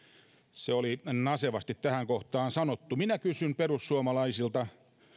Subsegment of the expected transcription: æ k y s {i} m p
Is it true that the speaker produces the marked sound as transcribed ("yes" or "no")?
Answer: no